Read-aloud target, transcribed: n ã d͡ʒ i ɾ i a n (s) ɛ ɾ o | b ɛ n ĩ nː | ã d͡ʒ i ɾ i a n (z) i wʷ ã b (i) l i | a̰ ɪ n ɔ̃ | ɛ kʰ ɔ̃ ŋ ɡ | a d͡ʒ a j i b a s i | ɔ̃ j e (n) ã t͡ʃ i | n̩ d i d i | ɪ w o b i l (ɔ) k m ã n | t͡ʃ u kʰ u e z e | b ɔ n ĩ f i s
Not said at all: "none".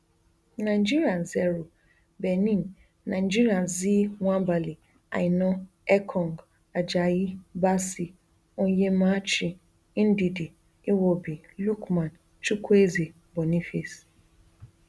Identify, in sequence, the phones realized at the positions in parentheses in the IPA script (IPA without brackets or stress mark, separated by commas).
z, z, a, m, u